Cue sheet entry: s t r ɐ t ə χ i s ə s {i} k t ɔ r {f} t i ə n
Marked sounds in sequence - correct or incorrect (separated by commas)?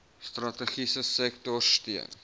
incorrect, incorrect